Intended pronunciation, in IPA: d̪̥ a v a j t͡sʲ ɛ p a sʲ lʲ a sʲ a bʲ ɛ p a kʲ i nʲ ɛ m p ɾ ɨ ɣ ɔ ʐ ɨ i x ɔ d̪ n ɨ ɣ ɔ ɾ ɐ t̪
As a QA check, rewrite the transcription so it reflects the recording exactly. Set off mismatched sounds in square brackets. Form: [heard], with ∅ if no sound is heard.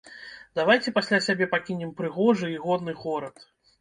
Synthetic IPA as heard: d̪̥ a v a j t͡sʲ ɛ p a sʲ lʲ a sʲ a bʲ ɛ p a kʲ i nʲ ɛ m p ɾ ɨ ɣ ɔ ʐ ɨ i [ɣ] ɔ d̪ n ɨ ɣ ɔ ɾ ɐ t̪